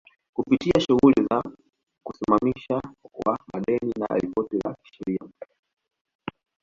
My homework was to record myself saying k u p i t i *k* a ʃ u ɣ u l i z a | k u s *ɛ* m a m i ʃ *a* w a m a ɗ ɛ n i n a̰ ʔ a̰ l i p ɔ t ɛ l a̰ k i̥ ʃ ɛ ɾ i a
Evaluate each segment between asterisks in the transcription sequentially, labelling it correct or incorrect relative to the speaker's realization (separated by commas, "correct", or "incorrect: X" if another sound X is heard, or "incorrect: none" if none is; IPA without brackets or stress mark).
incorrect: none, incorrect: i, correct